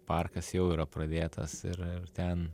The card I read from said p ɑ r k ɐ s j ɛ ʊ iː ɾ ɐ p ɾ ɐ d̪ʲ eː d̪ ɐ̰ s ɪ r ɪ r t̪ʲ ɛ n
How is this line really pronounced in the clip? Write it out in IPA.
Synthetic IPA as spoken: p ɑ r k ɐ s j ɛ ʊ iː ɾ ɐ p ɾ ɐ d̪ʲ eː t̪ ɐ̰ s ɪ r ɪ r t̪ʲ ɛ n